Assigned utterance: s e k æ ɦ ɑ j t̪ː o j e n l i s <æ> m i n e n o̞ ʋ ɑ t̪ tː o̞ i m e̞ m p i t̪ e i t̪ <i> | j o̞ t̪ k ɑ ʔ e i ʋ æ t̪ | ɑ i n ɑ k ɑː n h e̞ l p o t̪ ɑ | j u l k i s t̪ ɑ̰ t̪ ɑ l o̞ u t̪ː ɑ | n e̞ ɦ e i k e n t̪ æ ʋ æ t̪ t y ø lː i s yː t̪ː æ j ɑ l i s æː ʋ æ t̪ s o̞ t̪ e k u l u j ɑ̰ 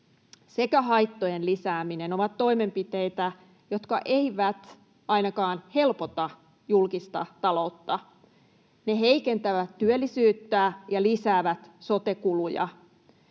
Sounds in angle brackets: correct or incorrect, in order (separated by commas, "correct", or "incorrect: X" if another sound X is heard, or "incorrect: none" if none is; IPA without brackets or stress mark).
incorrect: æː, incorrect: æ